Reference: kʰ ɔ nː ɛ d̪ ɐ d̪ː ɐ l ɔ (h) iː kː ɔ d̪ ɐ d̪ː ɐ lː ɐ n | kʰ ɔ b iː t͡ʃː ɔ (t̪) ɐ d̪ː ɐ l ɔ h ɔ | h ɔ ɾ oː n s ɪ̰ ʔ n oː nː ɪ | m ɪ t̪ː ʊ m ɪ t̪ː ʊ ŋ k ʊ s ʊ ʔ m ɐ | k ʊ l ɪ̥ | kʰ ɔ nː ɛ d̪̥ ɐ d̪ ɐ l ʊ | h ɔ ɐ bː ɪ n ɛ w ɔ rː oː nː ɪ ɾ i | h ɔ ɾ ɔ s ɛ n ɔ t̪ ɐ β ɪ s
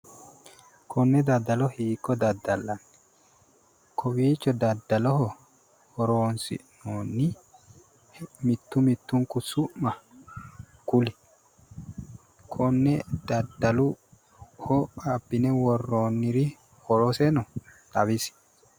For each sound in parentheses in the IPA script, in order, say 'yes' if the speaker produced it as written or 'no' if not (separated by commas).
yes, no